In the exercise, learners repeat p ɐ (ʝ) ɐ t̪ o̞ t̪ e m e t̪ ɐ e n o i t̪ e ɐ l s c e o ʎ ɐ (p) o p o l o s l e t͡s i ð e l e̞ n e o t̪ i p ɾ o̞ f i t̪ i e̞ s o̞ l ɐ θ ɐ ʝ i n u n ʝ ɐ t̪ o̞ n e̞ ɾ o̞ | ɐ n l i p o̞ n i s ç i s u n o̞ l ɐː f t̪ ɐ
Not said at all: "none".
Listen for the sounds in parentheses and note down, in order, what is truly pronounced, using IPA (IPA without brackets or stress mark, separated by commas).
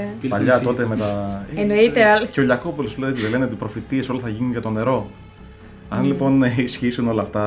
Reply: ʎ, k